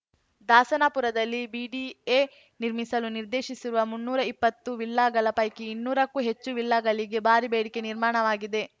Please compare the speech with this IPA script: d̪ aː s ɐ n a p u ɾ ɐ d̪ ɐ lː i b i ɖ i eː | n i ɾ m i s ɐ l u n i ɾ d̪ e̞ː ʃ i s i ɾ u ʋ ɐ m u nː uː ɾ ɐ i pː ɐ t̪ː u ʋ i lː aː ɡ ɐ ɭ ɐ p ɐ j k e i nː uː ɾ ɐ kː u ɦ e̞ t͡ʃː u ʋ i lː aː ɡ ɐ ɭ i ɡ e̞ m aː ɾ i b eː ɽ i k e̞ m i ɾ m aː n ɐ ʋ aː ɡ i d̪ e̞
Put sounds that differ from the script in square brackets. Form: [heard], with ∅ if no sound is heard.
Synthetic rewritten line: d̪ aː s ɐ n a p u ɾ ɐ d̪ ɐ lː i b i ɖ i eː | n i ɾ m i s ɐ l u n i ɾ d̪ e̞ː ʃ i s i ɾ u ʋ ɐ m u nː uː ɾ ɐ i pː ɐ t̪ː u ʋ i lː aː ɡ ɐ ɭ ɐ p ɐ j k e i nː uː ɾ ɐ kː u ɦ e̞ t͡ʃː u ʋ i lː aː ɡ ɐ ɭ i ɡ e̞ [b] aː ɾ i b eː ɽ i k e̞ [n] i ɾ m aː [ɳ] ɐ ʋ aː ɡ i d̪ e̞

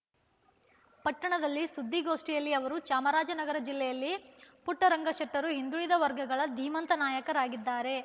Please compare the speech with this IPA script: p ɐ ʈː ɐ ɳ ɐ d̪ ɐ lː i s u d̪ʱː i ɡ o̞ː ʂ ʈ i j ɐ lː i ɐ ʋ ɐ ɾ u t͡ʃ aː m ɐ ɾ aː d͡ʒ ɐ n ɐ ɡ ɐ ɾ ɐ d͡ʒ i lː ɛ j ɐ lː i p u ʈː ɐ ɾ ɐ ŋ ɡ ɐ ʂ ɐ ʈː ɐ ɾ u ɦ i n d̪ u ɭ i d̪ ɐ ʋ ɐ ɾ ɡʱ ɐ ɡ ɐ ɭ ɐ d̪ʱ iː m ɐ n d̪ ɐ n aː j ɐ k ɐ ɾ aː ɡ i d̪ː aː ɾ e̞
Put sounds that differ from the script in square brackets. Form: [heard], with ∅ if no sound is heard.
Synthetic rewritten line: p ɐ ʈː ɐ ɳ ɐ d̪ ɐ lː i s u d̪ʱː i ɡ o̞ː ʂ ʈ i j ɐ lː i ɐ ʋ ɐ ɾ u t͡ʃ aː m ɐ ɾ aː d͡ʒ ɐ n ɐ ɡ ɐ ɾ ɐ d͡ʒ i lː ɛ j ɐ lː i p u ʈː ɐ ɾ ɐ ŋ ɡ ɐ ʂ ɐ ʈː ɐ ɾ u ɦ i n d̪ u ɭ i d̪ ɐ ʋ ɐ ɾ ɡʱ ɐ ɡ ɐ ɭ ɐ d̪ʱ iː m ɐ n [t̪] ɐ n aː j ɐ k ɐ ɾ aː ɡ i d̪ː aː ɾ e̞

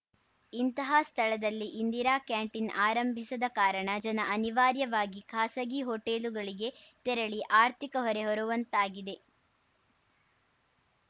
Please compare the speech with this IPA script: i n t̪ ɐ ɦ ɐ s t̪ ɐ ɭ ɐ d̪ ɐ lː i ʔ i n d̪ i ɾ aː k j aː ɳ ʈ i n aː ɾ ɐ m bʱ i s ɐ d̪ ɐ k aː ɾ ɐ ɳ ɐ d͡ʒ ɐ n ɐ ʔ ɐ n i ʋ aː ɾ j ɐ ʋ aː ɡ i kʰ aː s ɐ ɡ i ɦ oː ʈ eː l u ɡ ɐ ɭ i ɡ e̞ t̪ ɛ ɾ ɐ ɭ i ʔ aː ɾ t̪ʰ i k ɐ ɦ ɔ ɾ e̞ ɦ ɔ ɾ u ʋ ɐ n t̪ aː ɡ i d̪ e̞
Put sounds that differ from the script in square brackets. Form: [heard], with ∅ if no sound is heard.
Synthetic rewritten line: i n t̪ ɐ ɦ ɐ s [t̪ʰ] ɐ ɭ ɐ d̪ ɐ lː i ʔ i n d̪ i ɾ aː k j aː ɳ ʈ i n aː ɾ ɐ m bʱ i s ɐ d̪ ɐ k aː ɾ ɐ ɳ ɐ d͡ʒ ɐ n ɐ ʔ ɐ n i ʋ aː ɾ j ɐ ʋ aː ɡ i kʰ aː s ɐ ɡ i ɦ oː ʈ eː l u ɡ ɐ ɭ i ɡ e̞ t̪ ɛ ɾ ɐ ɭ i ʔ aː ɾ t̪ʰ i k ɐ ɦ ɔ ɾ e̞ ɦ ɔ ɾ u ʋ ɐ n t̪ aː ɡ i d̪ e̞

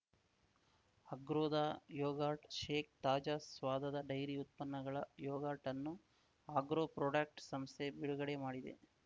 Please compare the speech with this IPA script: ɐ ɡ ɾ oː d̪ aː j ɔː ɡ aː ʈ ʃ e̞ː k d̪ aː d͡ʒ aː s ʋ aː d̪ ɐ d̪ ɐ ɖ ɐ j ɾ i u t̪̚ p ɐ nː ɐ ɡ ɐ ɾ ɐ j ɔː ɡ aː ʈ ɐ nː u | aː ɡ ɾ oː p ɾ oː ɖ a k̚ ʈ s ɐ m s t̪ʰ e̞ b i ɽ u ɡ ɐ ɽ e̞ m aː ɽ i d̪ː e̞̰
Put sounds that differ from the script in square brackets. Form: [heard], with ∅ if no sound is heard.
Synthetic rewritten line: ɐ ɡ ɾ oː d̪ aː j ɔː ɡ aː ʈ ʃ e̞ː k [t̪] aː d͡ʒ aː s ʋ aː d̪ ɐ d̪ ɐ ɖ ɐ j ɾ i u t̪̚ p ɐ nː ɐ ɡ ɐ [ɭ] ɐ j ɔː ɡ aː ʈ ɐ nː u | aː ɡ ɾ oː p ɾ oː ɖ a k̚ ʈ s ɐ m s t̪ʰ e̞ b i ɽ u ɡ ɐ ɽ e̞ m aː ɽ i [d̪] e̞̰

